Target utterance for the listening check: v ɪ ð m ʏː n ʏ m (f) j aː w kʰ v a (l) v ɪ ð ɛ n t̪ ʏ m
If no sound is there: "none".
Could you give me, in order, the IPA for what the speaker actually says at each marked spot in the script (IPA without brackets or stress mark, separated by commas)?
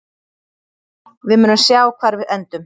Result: s, ɾ